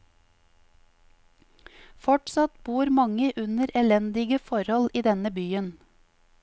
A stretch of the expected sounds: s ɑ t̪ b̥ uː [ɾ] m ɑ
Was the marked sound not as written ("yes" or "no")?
no